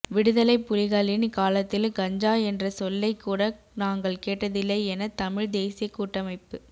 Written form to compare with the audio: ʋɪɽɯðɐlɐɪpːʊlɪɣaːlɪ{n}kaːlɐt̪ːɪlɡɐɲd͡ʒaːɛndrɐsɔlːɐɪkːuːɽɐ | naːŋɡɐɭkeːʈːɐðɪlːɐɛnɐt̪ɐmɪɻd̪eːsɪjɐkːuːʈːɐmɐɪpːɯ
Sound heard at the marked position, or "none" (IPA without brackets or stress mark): n